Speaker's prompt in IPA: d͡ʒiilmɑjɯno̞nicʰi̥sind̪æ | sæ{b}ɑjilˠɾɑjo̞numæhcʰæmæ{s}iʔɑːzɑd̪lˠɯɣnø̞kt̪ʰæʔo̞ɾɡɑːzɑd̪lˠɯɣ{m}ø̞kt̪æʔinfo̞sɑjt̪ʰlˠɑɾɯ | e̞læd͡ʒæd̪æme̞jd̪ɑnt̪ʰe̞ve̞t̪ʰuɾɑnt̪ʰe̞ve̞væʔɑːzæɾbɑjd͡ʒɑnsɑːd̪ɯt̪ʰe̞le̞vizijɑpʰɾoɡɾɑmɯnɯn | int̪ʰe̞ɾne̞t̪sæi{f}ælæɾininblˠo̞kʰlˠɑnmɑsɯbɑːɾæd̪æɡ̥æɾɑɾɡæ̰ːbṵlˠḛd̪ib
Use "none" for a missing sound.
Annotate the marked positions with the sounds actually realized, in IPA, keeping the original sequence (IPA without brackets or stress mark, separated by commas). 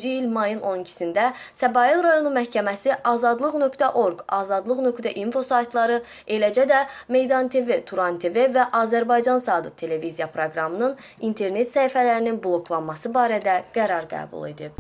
b, s, n, f